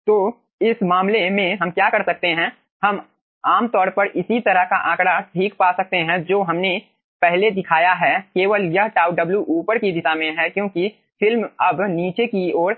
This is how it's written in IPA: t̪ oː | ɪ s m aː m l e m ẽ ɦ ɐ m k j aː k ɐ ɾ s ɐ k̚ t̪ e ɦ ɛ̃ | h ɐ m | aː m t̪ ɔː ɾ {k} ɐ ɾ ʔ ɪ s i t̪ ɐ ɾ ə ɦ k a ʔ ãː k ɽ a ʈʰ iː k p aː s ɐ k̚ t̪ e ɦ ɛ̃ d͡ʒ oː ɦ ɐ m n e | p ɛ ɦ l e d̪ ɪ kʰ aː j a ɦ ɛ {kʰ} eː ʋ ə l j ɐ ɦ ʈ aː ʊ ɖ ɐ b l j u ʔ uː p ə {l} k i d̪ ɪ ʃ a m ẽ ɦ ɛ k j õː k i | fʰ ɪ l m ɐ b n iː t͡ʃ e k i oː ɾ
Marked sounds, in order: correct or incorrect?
incorrect: p, incorrect: k, incorrect: ɾ

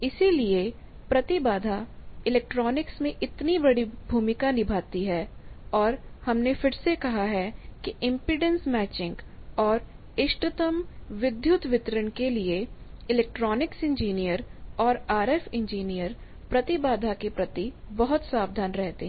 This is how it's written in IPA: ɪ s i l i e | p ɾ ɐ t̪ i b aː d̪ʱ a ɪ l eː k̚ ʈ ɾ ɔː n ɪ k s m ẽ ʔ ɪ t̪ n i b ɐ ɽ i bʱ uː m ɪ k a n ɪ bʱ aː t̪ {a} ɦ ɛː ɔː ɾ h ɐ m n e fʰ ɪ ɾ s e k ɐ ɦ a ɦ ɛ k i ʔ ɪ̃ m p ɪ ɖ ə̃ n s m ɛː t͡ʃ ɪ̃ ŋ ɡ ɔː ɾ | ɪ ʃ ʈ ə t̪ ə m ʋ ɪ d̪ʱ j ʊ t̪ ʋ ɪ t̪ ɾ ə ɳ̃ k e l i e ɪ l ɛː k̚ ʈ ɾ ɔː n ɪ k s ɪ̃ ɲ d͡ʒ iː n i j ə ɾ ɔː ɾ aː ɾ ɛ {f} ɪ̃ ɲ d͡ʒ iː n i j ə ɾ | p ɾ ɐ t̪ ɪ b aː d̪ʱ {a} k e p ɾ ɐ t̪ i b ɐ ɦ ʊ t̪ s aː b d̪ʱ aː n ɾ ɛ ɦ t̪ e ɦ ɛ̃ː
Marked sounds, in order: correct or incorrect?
incorrect: i, correct, correct

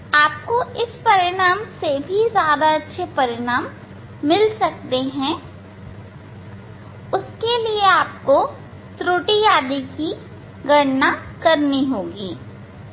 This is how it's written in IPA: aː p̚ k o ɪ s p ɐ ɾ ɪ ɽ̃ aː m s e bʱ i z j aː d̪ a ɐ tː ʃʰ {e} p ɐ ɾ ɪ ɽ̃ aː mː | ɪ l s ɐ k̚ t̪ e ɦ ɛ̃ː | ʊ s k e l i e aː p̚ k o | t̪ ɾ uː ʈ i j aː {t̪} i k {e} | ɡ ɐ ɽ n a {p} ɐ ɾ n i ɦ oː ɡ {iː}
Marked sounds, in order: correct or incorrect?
correct, incorrect: d̪, incorrect: i, incorrect: k, correct

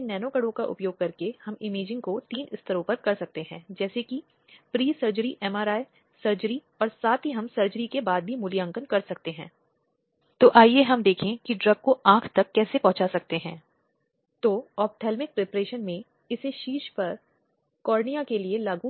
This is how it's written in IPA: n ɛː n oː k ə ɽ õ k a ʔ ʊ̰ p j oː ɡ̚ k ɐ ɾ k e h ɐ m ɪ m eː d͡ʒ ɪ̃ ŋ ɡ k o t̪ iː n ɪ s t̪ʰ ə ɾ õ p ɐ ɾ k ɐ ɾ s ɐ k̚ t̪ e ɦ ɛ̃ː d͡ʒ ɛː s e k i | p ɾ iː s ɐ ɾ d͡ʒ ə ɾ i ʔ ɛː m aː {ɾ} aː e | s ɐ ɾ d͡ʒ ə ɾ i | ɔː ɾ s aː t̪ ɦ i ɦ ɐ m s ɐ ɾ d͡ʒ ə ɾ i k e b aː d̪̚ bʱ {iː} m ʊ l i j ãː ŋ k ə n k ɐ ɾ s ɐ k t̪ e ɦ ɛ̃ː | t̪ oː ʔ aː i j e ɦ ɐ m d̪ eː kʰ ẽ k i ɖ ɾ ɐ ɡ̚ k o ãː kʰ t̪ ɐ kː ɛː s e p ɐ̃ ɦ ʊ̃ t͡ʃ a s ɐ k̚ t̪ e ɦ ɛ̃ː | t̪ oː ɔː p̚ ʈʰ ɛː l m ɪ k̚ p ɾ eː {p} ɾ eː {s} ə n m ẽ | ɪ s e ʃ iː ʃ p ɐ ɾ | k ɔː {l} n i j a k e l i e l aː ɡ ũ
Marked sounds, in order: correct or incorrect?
correct, incorrect: i, correct, incorrect: ʃ, incorrect: ɾ

